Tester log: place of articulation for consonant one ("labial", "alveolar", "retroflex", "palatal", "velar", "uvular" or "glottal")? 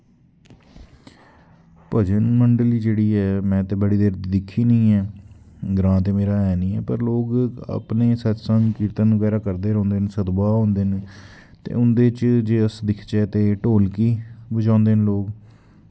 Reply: labial